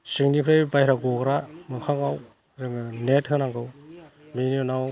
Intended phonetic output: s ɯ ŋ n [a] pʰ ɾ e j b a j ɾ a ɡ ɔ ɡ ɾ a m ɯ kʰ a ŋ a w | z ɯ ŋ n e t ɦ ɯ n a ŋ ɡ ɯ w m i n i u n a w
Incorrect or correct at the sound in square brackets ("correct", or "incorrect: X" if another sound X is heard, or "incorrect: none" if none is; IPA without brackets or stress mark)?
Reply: incorrect: i